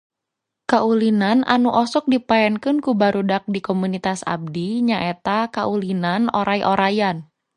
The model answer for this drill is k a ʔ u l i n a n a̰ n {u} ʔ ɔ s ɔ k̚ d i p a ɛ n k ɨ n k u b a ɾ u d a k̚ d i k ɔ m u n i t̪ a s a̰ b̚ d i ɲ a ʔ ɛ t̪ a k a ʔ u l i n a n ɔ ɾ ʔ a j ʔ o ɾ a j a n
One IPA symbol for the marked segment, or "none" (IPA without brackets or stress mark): u